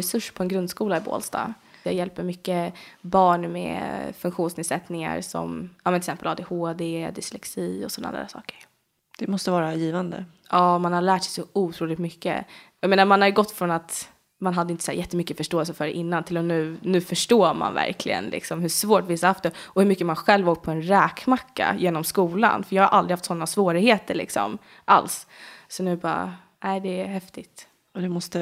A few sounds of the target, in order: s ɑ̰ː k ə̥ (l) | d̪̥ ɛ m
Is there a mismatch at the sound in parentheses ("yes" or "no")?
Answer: yes